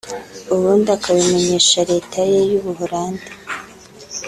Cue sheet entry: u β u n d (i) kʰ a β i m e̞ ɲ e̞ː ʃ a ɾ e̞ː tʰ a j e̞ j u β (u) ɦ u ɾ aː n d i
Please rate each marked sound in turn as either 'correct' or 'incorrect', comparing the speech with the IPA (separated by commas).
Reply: incorrect, correct